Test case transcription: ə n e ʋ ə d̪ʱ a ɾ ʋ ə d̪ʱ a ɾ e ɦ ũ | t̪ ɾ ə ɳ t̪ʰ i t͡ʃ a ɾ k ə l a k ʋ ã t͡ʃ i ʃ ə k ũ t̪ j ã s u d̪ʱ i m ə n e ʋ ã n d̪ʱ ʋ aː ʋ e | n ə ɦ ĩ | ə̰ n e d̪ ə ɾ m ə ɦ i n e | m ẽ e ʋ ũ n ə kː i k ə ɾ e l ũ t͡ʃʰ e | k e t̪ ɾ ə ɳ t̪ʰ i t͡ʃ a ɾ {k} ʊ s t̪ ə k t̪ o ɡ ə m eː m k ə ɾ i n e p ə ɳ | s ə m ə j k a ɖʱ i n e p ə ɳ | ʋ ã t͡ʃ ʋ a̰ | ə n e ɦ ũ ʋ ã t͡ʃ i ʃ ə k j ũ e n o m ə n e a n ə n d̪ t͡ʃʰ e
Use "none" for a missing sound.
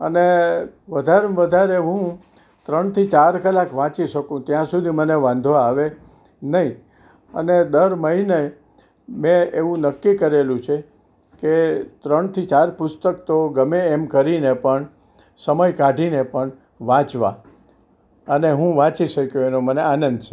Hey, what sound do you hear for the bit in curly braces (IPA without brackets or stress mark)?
p